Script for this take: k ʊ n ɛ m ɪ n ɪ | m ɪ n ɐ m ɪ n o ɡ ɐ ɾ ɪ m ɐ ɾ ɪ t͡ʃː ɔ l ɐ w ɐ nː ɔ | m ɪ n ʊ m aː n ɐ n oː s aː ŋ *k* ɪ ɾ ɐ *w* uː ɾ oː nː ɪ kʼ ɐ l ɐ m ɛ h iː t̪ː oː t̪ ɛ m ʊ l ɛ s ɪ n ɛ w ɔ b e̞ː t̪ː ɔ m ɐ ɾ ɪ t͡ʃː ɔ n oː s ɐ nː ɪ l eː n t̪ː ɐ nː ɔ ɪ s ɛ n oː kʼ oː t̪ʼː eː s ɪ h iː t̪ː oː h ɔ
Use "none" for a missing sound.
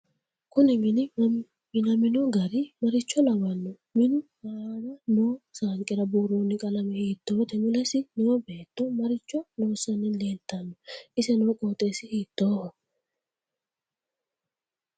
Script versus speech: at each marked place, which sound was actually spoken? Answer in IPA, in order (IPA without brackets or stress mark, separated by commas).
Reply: kʼ, b